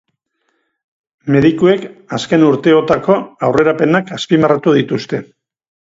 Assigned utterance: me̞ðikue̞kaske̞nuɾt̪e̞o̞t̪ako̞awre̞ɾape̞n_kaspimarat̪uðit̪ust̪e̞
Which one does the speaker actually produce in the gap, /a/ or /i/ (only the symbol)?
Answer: a